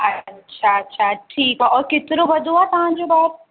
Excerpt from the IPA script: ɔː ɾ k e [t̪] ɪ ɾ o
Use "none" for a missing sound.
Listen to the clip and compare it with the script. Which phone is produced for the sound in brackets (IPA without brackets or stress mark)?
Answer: t̪